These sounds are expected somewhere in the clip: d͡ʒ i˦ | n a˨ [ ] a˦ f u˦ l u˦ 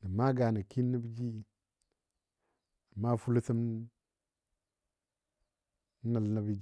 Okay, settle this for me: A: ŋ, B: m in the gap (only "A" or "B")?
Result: B